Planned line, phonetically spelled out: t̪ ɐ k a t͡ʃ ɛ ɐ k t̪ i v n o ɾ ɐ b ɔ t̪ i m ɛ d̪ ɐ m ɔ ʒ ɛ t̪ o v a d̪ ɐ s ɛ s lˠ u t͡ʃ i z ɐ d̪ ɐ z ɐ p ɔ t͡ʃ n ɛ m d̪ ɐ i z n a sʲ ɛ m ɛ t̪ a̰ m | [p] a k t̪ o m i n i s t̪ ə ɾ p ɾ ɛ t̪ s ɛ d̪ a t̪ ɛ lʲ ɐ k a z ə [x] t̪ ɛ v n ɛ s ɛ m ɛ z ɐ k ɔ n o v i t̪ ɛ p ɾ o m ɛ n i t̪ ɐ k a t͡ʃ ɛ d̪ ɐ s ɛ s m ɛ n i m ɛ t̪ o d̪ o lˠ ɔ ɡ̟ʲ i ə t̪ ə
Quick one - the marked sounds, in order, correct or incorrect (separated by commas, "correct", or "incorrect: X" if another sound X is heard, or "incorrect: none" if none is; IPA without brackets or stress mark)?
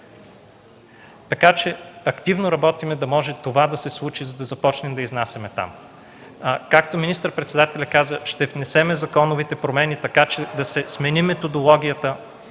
incorrect: k, incorrect: ʃ